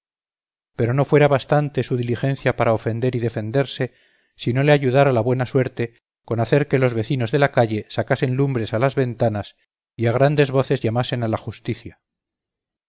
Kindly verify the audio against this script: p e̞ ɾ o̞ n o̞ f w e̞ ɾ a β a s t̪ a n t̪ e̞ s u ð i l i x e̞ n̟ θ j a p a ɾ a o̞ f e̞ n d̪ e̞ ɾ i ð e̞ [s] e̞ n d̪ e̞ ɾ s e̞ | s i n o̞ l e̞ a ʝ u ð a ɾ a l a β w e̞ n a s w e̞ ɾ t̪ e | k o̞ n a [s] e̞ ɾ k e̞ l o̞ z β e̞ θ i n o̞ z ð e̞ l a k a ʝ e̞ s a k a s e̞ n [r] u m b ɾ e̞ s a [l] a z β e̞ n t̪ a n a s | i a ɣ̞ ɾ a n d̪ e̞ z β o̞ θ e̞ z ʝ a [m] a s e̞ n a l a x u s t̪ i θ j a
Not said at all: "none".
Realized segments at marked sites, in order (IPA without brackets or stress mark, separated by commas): f, θ, l, l, m